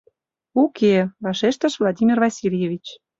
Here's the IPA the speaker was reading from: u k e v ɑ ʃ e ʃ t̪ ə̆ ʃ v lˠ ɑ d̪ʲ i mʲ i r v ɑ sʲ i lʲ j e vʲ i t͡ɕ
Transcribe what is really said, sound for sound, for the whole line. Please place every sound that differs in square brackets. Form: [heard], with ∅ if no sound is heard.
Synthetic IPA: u k e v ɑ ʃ e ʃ t̪ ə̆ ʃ v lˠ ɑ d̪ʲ i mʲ i r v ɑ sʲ i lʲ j e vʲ i t͡ɕ